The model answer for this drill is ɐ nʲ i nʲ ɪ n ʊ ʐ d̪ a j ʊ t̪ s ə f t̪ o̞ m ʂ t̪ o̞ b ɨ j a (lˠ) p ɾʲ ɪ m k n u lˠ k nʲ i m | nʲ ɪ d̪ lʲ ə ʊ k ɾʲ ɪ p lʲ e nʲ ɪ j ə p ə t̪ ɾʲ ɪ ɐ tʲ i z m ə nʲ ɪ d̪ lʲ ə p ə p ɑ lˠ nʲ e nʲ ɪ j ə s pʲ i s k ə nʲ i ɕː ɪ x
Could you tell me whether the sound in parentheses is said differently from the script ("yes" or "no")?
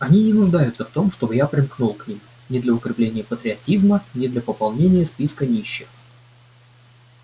yes